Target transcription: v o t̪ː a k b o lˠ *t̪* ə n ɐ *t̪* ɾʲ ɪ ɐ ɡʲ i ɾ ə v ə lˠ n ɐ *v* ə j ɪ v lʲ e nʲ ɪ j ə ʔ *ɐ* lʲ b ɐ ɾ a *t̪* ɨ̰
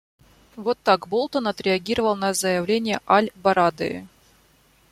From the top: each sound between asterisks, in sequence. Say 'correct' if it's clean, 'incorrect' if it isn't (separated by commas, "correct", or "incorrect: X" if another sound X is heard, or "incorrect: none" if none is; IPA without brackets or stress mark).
correct, correct, incorrect: z, incorrect: a, incorrect: d̪